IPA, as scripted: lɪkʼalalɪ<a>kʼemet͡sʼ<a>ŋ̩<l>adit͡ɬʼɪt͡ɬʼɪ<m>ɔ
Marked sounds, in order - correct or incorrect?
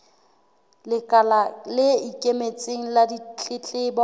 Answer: incorrect, incorrect, correct, incorrect

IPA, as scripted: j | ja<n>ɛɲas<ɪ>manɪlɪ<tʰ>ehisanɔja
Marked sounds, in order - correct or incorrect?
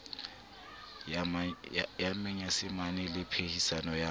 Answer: incorrect, correct, incorrect

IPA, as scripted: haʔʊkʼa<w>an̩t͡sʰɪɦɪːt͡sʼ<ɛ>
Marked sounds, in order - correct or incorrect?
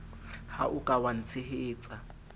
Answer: correct, incorrect

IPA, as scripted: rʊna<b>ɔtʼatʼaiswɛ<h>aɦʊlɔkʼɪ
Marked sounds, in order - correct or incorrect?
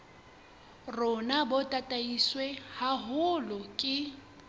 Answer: correct, correct

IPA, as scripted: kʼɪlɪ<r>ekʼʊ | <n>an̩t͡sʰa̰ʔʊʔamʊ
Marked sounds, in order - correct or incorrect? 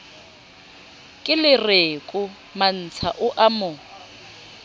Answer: correct, incorrect

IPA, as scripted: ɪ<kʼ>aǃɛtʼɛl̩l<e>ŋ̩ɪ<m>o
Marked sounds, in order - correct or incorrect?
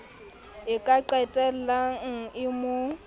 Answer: correct, incorrect, correct

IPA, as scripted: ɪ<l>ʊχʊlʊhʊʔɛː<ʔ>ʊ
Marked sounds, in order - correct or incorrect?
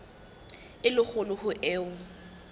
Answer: correct, incorrect

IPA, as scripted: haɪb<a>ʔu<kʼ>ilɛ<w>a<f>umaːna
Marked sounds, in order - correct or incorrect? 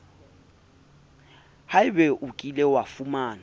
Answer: incorrect, correct, correct, correct

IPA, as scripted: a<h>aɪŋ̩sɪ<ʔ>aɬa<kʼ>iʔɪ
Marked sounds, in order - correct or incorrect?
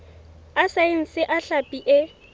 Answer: incorrect, correct, incorrect

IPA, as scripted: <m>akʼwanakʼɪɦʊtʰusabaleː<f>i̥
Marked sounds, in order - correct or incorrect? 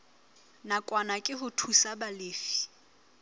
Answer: incorrect, correct

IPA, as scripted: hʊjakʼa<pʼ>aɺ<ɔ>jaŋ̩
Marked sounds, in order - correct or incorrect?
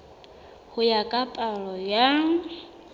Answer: correct, correct

